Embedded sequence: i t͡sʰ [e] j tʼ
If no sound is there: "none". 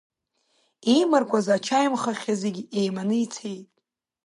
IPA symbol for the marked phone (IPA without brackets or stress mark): e